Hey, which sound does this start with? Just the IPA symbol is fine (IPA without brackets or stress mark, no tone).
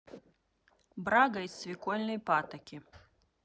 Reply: b